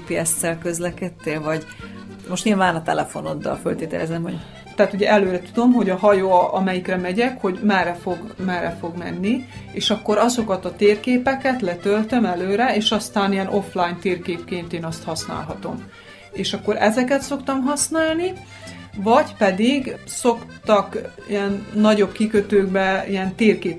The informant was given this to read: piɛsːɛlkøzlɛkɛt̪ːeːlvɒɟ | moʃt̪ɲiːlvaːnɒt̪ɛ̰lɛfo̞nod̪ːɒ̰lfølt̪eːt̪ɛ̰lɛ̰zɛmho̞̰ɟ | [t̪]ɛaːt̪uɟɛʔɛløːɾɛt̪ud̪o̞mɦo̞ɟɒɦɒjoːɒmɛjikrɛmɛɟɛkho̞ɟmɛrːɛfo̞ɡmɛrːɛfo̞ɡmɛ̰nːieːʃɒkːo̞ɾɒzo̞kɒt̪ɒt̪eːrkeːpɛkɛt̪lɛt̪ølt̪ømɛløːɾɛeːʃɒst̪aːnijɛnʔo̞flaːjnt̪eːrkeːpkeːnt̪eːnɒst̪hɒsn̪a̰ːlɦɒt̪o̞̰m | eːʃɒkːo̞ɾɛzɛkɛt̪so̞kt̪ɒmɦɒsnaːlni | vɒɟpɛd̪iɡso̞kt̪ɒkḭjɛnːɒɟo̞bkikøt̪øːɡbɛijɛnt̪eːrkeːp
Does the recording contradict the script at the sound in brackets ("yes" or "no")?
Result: no